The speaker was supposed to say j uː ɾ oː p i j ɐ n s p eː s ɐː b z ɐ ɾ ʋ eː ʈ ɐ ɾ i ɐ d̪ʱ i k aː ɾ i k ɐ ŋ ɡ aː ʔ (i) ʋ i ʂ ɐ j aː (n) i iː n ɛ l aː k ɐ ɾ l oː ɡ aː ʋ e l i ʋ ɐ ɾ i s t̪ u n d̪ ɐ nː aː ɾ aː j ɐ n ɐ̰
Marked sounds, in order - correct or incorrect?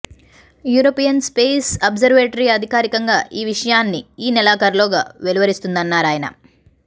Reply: incorrect, incorrect

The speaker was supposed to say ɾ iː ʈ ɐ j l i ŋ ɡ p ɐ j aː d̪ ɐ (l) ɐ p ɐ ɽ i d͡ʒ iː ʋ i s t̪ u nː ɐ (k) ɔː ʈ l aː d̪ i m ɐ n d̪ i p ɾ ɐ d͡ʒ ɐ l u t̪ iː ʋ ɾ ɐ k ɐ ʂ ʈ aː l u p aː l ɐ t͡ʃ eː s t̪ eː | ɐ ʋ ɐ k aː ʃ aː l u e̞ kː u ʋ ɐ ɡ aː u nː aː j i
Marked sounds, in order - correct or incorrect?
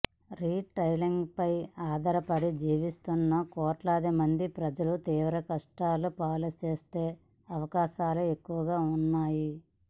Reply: incorrect, correct

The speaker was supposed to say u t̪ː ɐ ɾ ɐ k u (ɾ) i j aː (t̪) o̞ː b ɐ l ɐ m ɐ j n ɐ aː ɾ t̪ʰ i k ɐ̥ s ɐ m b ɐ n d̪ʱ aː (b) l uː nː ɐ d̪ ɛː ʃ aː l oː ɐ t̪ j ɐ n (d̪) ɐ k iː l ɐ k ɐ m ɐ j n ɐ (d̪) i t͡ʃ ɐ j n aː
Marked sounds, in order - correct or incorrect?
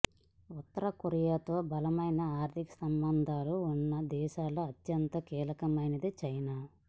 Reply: correct, correct, incorrect, incorrect, correct

